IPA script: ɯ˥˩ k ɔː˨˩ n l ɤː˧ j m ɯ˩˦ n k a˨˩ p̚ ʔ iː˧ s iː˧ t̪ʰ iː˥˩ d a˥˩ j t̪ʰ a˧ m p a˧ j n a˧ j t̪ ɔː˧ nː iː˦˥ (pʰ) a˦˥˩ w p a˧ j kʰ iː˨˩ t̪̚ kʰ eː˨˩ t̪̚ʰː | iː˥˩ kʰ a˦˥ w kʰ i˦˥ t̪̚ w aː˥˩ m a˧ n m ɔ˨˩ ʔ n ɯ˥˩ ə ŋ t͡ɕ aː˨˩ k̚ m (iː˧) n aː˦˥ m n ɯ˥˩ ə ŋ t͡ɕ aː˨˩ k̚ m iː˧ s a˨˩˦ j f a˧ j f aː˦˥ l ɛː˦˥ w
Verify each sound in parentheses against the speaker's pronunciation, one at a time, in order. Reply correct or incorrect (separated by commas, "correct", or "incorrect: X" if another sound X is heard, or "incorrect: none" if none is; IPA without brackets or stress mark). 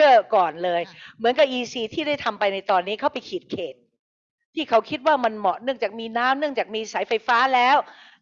incorrect: kʰ, correct